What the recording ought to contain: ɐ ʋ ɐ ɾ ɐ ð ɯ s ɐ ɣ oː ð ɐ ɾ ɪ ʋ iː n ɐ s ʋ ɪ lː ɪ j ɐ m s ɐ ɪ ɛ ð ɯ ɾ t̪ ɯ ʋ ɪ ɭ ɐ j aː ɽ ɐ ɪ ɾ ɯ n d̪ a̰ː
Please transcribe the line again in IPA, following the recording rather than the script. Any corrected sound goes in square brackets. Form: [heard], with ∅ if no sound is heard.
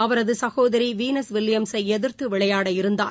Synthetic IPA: ɐ ʋ ɐ ɾ ɐ ð ɯ s ɐ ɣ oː ð ɐ ɾ [i] ʋ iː n ɐ s ʋ ɪ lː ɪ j ɐ m s ɐ ɪ ɛ ð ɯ ɾ t̪ ɯ ʋ ɪ ɭ ɐ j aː ɽ ɐ ɪ ɾ ɯ n d̪ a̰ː

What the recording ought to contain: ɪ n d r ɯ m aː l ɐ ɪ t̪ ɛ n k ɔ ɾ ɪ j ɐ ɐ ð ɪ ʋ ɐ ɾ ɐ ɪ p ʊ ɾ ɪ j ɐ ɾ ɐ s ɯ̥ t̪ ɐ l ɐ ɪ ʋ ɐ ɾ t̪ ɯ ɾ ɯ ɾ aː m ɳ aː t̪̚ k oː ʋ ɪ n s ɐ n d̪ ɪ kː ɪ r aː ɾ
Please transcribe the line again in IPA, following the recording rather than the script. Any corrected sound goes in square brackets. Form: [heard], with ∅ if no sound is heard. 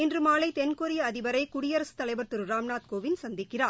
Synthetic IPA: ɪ n d r ɯ m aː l ɐ ɪ t̪ ɛ n k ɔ ɾ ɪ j ɐ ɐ ð ɪ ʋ ɐ ɾ ɐ ɪ [k] ʊ [ɽ] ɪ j ɐ ɾ ɐ s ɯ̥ t̪ ɐ l ɐ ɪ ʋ ɐ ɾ t̪ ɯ ɾ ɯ ɾ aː m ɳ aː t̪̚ k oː ʋ ɪ n s ɐ n d̪ ɪ kː ɪ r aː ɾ

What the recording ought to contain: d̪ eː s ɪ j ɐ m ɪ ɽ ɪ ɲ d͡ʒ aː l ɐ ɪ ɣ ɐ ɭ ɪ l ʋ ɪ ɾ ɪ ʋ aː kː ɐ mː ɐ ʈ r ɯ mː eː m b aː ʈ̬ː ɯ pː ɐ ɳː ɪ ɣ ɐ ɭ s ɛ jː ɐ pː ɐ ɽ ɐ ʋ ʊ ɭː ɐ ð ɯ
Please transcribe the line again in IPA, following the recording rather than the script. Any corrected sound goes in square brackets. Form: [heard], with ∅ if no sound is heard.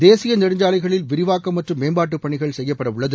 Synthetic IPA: d̪ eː s ɪ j ɐ [n] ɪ ɽ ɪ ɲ d͡ʒ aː l ɐ ɪ ɣ ɐ ɭ ɪ l ʋ ɪ ɾ ɪ ʋ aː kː ɐ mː ɐ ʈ r ɯ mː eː m b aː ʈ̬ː ɯ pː ɐ [ɳ] ɪ ɣ ɐ ɭ s ɛ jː ɐ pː ɐ ɽ ɐ ʋ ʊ ɭː ɐ ð ɯ

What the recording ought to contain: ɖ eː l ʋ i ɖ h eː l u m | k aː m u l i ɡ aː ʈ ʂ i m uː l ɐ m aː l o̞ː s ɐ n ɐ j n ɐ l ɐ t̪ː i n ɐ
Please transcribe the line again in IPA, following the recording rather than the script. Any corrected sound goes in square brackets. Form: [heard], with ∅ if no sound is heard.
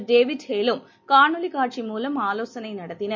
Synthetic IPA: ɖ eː [∅] ʋ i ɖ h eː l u m | k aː [ɳ] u l i [k] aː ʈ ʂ i m uː l ɐ m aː l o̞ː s ɐ n ɐ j n ɐ [ɽ] ɐ t̪ː i n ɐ

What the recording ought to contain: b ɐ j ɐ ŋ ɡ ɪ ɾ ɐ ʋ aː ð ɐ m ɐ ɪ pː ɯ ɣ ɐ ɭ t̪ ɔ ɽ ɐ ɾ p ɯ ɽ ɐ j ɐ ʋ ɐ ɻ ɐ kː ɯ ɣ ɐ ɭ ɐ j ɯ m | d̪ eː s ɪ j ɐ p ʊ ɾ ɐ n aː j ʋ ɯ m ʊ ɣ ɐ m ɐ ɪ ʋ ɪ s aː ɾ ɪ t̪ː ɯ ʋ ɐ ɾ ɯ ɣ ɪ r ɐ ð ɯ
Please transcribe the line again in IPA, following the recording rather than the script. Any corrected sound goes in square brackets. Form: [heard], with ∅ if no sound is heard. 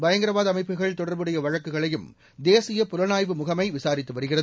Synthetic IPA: b ɐ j ɐ ŋ ɡ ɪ ɾ ɐ ʋ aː ð ɐ m ɐ ɪ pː ɯ ɣ ɐ ɭ t̪ ɔ ɽ ɐ ɾ [b] ɯ ɽ ɐ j ɐ ʋ ɐ ɻ ɐ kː ɯ ɣ ɐ ɭ ɐ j ɯ m | d̪ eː s ɪ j ɐ p ʊ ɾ ɐ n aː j ʋ ɯ m ʊ ɣ ɐ m ɐ ɪ ʋ ɪ s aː ɾ ɪ t̪ː ɯ ʋ ɐ ɾ ɯ ɣ ɪ r ɐ ð ɯ

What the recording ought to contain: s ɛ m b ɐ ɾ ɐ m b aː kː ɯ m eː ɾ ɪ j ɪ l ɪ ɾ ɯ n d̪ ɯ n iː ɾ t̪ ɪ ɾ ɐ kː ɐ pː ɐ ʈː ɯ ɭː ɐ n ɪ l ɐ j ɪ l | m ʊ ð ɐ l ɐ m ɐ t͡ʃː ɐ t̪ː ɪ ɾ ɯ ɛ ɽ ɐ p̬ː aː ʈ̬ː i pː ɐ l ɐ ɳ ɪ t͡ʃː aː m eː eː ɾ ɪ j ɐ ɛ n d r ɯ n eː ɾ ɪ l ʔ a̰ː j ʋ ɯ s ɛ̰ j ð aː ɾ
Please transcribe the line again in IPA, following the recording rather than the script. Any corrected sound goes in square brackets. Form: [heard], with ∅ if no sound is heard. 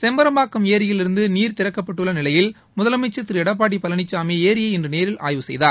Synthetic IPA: s ɛ m b ɐ ɾ ɐ m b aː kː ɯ m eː ɾ ɪ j ɪ l ɪ ɾ ɯ n d̪ ɯ n iː ɾ t̪ ɪ ɾ ɐ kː ɐ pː ɐ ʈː ɯ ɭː ɐ n ɪ l ɐ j ɪ l | m ʊ ð ɐ l ɐ m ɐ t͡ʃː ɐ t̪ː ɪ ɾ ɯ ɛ ɽ ɐ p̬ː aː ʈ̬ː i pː ɐ l ɐ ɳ ɪ t͡ʃː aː m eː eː ɾ ɪ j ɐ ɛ n d r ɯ n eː ɾ ɪ l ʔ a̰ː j ʋ ɯ s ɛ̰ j ð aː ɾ

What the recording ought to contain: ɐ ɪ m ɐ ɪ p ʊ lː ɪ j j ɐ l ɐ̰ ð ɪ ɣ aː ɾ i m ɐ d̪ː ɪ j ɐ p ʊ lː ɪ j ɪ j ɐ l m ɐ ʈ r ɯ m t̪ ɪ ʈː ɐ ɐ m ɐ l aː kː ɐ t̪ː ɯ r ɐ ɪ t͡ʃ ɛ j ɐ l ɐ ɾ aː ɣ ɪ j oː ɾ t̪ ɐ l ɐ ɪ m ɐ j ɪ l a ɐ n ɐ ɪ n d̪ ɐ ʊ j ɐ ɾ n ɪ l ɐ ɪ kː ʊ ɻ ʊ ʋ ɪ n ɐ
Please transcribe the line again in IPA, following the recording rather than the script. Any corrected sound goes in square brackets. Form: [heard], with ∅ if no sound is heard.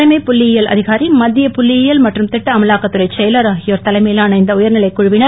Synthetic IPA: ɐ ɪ m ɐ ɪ p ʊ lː ɪ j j ɐ l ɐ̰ ð ɪ ɣ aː ɾ i m ɐ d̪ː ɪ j ɐ p ʊ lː ɪ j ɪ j ɐ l m ɐ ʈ r ɯ m t̪ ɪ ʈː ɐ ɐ m ɐ l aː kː ɐ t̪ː ɯ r ɐ ɪ t͡ʃ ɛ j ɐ l ɐ ɾ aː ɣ ɪ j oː ɾ t̪ ɐ l ɐ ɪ m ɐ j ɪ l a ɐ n ɐ ɪ n d̪ ɐ ʊ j ɐ ɾ n ɪ l ɐ ɪ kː ʊ ɻ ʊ ʋ ɪ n ɐ

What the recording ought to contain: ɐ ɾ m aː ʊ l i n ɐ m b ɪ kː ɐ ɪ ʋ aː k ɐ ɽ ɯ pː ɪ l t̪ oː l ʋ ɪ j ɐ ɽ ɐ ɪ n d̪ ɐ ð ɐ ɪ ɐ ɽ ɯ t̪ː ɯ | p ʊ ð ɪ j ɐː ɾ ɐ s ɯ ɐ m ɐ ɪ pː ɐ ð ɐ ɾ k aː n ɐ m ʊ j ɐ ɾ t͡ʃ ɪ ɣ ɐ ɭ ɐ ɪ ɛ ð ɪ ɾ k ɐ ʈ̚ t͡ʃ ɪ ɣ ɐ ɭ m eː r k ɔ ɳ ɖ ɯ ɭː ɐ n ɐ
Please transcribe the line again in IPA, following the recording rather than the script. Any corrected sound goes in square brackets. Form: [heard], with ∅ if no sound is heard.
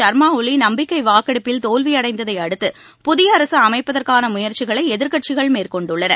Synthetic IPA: ɐ ɾ m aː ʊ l i n ɐ m b ɪ kː ɐ ɪ ʋ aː k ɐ ɽ ɯ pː ɪ l t̪ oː l ʋ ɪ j ɐ ɽ ɐ ɪ n d̪ ɐ ð ɐ ɪ ɐ ɽ ɯ t̪ː ɯ | p ʊ ð ɪ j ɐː ɾ ɐ s ɯ ɐ m ɐ ɪ pː ɐ ð ɐ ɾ k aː n ɐ m ʊ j ɐ ɾ t͡ʃ ɪ ɣ ɐ ɭ ɐ ɪ ɛ ð ɪ ɾ k ɐ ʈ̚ t͡ʃ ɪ ɣ ɐ ɭ m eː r k ɔ ɳ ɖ ɯ ɭː ɐ n ɐ

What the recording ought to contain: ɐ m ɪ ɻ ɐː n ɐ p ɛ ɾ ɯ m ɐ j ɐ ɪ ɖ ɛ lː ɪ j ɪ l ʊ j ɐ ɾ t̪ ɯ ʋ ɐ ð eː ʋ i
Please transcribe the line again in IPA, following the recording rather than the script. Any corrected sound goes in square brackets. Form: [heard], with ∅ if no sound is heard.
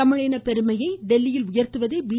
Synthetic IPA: ɐ m ɪ ɻ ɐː n ɐ p ɛ ɾ ɯ m ɐ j ɐ ɪ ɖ ɛ lː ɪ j ɪ l ʊ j ɐ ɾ t̪ ɯ ʋ ɐ ð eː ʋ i

